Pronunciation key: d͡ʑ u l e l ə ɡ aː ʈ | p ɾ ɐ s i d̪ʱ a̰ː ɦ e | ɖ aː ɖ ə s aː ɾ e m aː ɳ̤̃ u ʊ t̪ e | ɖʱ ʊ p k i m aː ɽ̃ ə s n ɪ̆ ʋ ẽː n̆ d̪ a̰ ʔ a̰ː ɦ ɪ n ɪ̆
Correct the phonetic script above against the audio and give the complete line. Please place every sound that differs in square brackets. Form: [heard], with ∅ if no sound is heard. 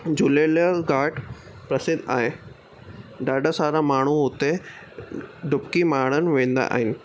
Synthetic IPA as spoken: d͡ʑ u l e l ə ɡ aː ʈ | p ɾ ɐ s [ɪ] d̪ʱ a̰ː ɦ e | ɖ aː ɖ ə s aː ɾ [a] m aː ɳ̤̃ u ʊ t̪ e | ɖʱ ʊ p k i m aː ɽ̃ ə [∅] n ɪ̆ ʋ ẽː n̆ d̪ a̰ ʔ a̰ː ɦ ɪ n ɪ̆